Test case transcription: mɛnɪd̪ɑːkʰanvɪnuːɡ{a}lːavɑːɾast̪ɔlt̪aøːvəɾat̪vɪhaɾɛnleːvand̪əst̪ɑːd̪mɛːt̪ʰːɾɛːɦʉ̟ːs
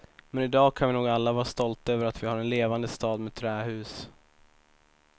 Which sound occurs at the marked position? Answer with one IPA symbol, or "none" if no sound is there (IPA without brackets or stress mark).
a